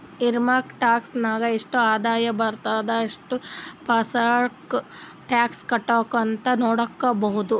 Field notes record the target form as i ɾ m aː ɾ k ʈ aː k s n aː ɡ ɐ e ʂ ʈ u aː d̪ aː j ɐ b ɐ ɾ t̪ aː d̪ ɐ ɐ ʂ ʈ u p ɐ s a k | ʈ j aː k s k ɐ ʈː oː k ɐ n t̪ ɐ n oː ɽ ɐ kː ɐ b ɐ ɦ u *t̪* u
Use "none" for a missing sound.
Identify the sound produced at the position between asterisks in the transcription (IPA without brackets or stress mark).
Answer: d̪